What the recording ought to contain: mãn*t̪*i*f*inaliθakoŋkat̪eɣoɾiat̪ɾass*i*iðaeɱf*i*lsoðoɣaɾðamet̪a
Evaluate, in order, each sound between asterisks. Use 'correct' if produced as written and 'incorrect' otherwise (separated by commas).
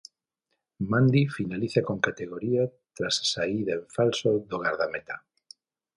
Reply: incorrect, correct, incorrect, incorrect